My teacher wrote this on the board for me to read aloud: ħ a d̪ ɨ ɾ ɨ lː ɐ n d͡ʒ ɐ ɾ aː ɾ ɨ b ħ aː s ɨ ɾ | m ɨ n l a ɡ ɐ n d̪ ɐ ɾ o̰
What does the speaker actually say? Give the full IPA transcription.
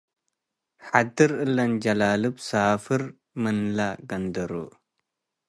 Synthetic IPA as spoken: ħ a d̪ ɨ ɾ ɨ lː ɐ n d͡ʒ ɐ l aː l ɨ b s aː f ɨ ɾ | m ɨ n l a ɡ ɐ n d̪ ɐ ɾ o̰

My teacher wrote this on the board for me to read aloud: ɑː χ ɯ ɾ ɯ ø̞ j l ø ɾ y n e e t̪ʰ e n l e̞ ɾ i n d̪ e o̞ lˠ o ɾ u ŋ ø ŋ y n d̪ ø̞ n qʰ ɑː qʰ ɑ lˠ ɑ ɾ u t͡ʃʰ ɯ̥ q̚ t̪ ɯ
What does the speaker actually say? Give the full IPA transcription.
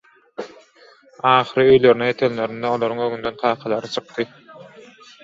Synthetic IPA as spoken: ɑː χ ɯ ɾ ɯ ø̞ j l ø ɾ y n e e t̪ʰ e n l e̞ ɾ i n d̪ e o̞ lˠ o ɾ u ŋ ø ŋ y n d̪ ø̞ n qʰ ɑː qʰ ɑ lˠ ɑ ɾ ɯ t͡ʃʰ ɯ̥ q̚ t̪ ɯ

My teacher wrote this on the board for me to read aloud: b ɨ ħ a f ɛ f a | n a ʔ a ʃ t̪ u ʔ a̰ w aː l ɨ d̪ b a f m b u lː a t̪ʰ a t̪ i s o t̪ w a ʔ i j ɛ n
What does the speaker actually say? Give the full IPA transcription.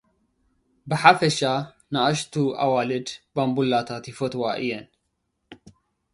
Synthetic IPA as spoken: b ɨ ħ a f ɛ ʃ a | n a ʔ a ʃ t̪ u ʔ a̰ w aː l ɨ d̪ b a m b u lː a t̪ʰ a t̪ i f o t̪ w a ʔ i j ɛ n

